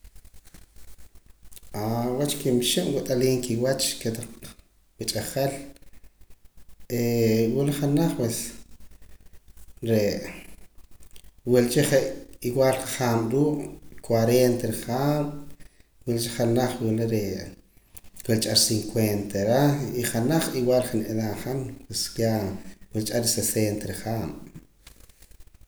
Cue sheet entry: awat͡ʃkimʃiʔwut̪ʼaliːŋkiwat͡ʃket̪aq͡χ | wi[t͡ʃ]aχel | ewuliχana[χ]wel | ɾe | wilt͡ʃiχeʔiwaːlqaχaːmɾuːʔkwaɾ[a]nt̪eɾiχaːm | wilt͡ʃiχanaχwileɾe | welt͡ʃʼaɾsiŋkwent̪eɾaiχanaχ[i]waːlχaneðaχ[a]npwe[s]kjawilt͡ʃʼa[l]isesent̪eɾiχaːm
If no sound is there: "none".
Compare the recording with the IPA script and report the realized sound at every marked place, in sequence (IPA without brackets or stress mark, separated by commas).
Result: t͡ʃʼ, χ, e, i, a, s, ɾ